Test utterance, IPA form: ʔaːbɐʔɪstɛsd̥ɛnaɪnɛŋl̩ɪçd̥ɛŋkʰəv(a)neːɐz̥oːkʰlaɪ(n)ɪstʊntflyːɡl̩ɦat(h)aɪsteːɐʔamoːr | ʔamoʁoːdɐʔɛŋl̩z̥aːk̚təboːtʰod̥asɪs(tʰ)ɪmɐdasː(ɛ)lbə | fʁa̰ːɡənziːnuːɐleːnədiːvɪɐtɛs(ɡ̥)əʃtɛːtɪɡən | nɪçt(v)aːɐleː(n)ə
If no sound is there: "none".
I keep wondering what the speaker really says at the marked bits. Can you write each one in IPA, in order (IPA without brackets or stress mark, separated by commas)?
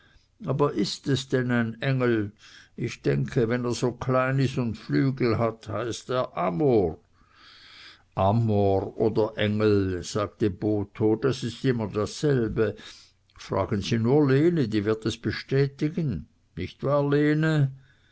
ɛ, n, h, t, ɛ, b̥, v, n